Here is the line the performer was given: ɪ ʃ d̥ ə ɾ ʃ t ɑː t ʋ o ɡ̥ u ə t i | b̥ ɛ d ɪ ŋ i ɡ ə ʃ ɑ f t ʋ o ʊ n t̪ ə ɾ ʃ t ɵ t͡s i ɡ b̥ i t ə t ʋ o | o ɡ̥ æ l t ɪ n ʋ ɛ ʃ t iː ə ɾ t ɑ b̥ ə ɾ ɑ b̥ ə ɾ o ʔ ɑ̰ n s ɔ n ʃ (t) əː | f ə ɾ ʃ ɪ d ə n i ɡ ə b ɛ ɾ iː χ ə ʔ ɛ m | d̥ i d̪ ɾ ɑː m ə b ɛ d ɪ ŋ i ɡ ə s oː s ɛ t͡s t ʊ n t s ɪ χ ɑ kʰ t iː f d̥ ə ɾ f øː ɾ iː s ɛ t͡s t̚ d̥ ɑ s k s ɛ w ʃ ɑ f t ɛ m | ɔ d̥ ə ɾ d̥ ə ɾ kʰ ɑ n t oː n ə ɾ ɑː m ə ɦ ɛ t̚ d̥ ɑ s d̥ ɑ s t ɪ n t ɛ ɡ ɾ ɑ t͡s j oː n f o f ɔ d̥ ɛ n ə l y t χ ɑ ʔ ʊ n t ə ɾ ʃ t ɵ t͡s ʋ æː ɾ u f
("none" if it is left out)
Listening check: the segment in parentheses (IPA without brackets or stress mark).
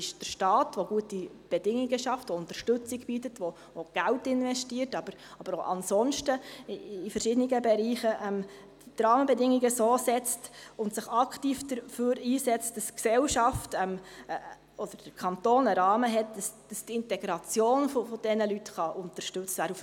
t